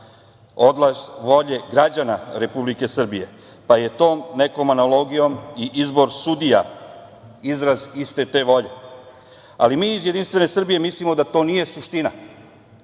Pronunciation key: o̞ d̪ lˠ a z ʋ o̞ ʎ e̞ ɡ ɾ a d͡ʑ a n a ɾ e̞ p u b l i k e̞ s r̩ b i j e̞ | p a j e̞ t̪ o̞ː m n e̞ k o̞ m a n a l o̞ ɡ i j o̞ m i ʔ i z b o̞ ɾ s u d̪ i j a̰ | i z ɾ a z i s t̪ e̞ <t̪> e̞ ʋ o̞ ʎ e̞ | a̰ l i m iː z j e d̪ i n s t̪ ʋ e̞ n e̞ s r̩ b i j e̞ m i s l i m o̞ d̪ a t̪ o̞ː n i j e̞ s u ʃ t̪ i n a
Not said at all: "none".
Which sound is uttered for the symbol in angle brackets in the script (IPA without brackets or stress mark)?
t̪